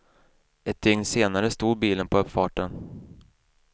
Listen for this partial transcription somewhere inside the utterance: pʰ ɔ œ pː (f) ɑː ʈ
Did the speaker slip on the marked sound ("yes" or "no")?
no